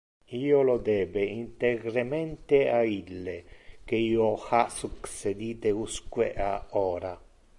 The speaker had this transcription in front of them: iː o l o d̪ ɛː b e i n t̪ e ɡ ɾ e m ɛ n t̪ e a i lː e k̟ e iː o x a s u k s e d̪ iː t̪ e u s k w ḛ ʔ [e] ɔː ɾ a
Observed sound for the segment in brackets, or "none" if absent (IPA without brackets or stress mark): a